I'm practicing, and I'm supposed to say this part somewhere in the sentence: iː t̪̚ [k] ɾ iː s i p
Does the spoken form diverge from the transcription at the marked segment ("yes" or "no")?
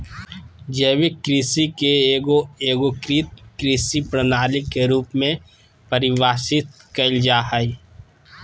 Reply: no